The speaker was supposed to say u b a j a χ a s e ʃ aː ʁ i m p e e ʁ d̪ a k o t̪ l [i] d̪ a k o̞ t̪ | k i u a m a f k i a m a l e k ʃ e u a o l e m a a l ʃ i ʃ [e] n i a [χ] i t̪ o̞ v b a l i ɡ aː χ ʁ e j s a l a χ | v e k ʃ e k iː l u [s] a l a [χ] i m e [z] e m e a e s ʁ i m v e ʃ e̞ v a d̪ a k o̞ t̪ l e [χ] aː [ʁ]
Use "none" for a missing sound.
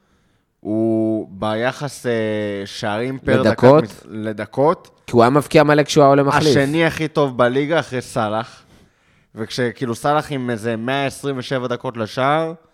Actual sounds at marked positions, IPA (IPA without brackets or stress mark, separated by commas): e, e, χ, s, χ, z, ʃ, ʁ